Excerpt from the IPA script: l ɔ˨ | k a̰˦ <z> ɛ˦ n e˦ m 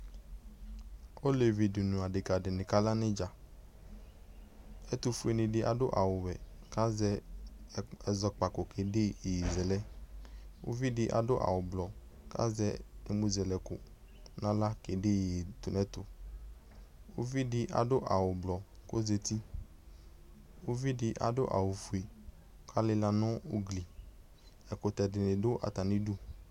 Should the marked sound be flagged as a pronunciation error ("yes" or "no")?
no